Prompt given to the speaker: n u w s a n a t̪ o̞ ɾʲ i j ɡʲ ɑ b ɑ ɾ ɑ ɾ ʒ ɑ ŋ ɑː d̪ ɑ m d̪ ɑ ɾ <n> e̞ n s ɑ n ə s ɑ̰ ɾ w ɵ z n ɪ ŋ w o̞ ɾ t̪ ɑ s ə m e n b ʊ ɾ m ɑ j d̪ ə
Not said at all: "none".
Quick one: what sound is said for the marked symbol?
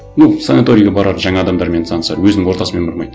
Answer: m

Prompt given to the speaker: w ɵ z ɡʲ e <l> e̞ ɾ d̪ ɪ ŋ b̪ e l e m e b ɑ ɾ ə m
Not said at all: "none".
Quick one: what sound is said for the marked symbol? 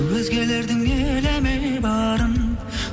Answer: l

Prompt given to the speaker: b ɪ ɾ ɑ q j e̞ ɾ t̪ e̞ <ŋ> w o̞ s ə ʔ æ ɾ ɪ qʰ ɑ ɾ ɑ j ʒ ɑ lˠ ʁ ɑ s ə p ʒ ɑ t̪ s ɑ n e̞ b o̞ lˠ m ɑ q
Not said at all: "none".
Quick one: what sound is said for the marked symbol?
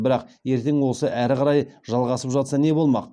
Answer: ŋ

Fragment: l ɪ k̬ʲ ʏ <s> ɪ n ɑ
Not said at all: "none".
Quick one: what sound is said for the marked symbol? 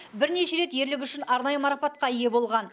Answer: ʃ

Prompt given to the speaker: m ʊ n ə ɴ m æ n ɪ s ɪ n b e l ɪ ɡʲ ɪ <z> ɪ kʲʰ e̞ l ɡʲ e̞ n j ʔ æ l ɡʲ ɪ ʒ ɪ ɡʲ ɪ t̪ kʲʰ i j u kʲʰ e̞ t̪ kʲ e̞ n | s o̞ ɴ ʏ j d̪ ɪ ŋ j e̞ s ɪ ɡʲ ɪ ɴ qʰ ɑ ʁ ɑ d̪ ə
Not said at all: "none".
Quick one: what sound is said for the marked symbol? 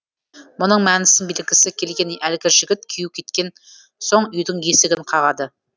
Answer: s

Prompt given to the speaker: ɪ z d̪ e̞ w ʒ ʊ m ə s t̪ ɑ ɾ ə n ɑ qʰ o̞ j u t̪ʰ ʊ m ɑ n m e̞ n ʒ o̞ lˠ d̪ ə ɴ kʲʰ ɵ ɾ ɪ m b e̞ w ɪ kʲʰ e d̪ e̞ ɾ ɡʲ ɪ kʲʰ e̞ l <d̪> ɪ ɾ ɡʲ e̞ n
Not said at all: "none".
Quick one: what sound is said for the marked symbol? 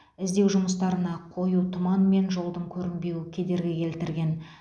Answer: t̪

